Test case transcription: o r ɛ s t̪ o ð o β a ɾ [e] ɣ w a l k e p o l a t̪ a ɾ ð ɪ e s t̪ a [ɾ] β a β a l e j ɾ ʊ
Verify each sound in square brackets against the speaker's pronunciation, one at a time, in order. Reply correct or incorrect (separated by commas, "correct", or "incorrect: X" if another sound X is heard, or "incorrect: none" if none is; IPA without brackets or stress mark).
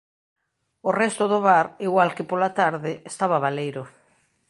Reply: incorrect: i, incorrect: none